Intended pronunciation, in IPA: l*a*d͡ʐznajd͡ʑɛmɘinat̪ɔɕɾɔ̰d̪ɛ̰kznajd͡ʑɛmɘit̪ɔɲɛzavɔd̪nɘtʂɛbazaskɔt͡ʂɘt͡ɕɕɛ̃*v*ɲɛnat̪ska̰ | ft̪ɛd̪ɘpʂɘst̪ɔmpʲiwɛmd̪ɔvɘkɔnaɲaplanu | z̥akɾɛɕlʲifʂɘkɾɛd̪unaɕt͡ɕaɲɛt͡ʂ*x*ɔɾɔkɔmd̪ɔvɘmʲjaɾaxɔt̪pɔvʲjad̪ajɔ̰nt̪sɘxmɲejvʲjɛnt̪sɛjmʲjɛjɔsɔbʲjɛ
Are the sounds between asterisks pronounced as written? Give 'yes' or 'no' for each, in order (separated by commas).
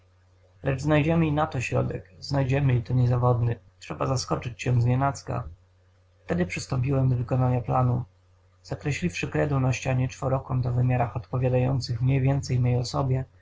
no, no, no